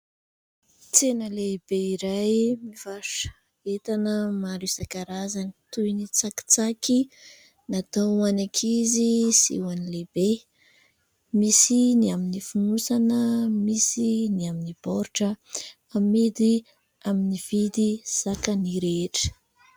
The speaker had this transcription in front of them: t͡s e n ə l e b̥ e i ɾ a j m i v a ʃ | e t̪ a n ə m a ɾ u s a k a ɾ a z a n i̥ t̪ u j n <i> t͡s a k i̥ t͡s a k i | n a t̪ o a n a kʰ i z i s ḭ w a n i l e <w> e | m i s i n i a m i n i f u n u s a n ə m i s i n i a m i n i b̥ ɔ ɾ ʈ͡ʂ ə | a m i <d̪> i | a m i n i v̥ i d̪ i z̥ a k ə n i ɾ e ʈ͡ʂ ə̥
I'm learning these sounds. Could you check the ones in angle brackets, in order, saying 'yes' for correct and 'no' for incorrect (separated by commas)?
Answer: yes, no, yes